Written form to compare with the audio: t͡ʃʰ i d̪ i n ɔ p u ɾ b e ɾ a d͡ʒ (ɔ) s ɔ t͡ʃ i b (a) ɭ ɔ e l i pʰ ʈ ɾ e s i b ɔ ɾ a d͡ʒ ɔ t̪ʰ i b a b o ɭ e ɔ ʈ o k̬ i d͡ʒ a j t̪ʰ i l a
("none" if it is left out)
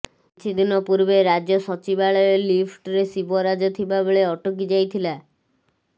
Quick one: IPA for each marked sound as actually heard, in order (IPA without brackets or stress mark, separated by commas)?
ɔ, a